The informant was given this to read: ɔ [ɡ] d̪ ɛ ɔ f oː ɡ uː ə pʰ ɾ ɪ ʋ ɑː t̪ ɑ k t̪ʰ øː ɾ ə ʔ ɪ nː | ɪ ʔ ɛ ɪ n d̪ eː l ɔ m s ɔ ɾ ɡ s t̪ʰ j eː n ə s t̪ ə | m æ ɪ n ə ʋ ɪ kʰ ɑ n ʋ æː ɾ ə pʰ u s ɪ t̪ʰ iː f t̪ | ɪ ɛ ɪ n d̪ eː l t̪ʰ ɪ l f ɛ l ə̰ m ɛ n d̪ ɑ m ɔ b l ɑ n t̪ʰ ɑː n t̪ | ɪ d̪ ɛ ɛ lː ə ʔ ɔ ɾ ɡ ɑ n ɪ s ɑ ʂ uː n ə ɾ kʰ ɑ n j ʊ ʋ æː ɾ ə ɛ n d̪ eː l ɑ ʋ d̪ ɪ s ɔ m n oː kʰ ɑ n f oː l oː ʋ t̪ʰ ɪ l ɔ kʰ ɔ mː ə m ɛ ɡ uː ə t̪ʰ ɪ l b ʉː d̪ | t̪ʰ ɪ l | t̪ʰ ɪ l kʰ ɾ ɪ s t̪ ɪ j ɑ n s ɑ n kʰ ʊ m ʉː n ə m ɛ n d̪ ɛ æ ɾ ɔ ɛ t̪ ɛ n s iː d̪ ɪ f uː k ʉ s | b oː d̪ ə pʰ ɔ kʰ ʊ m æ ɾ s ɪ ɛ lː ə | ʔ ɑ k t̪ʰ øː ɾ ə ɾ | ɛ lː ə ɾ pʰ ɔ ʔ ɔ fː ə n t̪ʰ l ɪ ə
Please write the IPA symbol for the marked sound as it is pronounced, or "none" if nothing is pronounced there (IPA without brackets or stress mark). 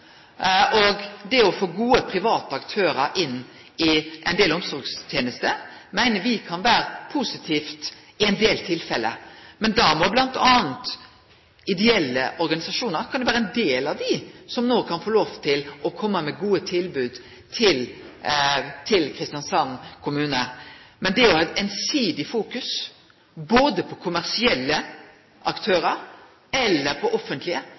ɡ